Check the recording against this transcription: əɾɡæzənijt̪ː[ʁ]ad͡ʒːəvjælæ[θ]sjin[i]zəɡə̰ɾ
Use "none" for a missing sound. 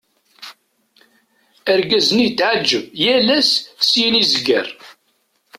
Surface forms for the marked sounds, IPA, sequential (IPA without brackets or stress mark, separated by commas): ʕ, s, i